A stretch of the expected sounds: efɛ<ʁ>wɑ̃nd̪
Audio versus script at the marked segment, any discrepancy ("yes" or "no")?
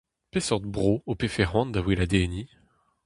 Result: no